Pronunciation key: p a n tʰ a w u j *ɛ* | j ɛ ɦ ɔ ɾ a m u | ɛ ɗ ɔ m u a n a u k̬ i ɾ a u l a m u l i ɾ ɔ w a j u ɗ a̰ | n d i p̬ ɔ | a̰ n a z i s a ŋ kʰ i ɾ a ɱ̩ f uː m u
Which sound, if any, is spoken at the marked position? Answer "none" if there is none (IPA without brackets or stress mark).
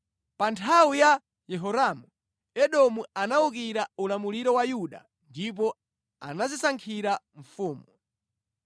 a